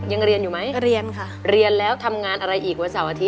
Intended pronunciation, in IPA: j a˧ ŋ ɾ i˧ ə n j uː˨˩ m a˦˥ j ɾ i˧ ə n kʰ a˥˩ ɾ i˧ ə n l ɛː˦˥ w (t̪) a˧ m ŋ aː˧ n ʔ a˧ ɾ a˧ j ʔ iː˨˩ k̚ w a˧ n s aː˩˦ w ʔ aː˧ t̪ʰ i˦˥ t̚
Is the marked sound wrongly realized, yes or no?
yes